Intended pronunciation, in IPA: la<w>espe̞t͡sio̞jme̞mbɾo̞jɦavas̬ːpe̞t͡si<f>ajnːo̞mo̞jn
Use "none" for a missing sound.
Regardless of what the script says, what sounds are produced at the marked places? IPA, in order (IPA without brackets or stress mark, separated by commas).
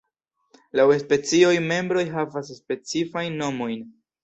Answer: w, f